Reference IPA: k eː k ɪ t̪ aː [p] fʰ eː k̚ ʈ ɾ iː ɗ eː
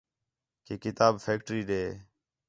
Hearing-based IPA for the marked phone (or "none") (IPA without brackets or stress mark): b